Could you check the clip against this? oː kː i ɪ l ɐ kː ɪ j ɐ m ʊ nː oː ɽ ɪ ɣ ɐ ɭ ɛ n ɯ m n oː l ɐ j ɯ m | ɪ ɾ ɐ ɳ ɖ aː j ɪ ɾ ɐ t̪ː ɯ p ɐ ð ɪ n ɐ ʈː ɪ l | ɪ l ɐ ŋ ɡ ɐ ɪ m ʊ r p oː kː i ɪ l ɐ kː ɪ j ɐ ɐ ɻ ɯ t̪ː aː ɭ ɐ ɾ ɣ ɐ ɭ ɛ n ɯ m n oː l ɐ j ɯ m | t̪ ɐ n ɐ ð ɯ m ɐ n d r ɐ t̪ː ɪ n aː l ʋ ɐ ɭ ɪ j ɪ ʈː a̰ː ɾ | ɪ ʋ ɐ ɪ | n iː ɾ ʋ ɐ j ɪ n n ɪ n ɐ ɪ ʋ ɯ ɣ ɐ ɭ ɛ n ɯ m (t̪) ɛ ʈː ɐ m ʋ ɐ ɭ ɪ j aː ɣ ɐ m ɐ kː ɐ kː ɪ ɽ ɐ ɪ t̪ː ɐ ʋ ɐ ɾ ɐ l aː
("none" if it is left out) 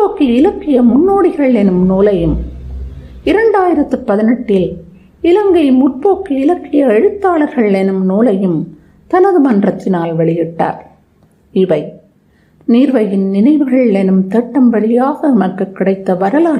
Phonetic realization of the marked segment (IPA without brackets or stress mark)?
t̪